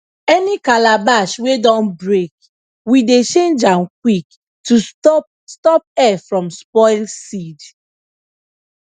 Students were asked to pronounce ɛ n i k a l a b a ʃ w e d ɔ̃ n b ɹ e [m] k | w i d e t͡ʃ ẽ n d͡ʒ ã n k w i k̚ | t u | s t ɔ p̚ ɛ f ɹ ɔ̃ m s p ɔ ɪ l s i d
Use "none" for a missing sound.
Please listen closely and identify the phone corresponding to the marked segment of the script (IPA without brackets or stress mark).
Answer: none